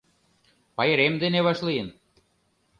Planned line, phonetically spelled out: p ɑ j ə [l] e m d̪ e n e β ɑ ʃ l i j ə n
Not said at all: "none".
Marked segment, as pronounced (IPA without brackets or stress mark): ɾ